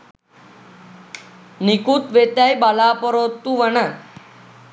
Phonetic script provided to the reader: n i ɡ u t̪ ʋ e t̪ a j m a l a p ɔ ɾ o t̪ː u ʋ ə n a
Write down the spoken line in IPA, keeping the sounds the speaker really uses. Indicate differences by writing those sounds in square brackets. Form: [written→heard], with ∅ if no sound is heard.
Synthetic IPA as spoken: n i [ɡ→k] u t̪ ʋ e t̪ a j [m→b] a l a p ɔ ɾ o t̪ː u ʋ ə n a